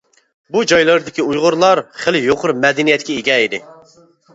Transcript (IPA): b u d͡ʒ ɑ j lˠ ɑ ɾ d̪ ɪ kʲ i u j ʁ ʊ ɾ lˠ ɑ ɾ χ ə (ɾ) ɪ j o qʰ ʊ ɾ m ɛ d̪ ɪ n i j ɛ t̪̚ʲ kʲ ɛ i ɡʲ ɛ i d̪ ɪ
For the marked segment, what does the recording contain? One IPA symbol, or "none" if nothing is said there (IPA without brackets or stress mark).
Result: l